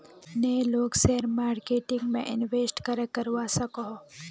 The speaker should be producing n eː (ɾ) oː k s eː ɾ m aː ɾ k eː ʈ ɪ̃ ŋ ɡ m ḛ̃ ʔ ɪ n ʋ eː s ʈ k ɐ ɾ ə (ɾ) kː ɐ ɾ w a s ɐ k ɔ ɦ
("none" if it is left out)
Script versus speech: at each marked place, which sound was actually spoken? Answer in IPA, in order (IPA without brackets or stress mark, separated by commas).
l, none